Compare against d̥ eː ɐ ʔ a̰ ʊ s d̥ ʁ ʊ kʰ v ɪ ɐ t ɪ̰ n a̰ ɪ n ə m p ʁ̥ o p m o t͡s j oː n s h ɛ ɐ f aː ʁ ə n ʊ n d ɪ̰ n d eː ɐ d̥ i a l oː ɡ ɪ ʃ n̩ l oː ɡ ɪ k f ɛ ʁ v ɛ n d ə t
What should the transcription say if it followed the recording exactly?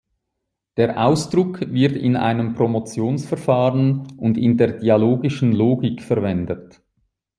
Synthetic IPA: d̥ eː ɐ ʔ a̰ ʊ s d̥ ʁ ʊ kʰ v ɪ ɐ t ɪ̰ n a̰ ɪ n ə m p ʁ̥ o m o t͡s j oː n s f ɛ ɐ f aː ʁ ə n ʊ n d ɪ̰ n d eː ɐ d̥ i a l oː ɡ ɪ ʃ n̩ l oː ɡ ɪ k f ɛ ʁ v ɛ n d ə t